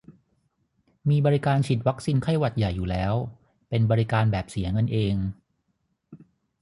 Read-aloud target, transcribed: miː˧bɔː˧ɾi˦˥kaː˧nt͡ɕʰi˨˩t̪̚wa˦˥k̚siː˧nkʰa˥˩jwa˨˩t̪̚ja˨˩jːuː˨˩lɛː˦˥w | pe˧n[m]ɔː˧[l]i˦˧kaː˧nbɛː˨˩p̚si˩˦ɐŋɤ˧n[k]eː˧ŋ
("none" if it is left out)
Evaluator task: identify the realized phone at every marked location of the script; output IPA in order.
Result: b, ɾ, ʔ

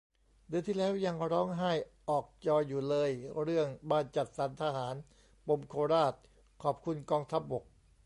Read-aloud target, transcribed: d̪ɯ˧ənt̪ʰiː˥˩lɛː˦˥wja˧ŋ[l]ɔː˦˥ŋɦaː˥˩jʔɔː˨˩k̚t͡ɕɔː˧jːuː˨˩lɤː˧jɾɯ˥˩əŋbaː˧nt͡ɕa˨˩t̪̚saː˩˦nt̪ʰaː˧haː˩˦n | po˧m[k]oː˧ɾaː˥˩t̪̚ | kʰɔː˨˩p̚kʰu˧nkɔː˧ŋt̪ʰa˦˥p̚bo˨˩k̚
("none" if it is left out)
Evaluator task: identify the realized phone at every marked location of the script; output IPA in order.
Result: ɾ, kʰ

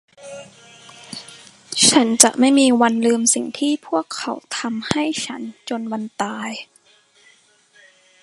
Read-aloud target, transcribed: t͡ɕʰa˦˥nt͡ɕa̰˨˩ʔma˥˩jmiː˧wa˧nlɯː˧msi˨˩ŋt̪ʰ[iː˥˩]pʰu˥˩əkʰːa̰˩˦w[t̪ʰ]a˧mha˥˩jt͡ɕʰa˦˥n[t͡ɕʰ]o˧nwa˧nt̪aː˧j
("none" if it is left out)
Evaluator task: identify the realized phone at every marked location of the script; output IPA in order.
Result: iː˥˩, t̪ʰ, t͡ɕ

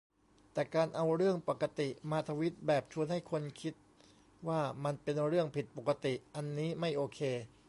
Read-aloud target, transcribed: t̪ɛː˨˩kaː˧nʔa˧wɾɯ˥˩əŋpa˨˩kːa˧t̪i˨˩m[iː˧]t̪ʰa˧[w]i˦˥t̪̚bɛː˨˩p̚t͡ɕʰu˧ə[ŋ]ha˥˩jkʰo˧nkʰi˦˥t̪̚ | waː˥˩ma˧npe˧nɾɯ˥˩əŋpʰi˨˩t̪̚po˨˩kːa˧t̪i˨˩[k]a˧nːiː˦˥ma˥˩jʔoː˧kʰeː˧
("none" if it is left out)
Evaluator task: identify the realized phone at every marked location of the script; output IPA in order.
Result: aː˧, w, n, ʔ

